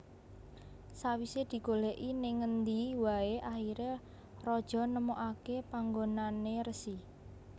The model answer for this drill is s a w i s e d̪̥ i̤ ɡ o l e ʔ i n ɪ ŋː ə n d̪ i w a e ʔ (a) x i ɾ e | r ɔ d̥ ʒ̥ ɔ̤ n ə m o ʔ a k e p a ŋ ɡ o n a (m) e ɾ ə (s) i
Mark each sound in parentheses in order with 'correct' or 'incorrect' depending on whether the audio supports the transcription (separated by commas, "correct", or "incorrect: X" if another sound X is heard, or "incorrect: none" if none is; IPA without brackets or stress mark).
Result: correct, incorrect: n, correct